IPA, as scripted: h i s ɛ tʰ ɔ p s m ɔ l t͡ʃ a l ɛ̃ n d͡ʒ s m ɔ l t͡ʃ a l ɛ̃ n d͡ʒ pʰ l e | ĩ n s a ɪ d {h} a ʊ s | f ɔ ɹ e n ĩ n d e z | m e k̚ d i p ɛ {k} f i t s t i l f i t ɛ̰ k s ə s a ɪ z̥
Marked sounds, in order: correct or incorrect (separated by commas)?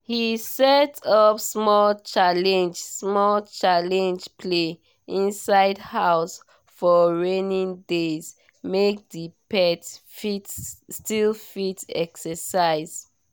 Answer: correct, incorrect